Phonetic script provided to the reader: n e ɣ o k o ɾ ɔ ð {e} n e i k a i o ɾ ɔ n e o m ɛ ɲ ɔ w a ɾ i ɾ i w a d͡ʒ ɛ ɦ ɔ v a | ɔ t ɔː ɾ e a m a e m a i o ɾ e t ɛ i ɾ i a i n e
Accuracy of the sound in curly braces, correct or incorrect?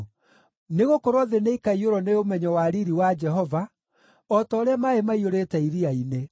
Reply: correct